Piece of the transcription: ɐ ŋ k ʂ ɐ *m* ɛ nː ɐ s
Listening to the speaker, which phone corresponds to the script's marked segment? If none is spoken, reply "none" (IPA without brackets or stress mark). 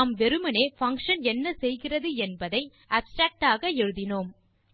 n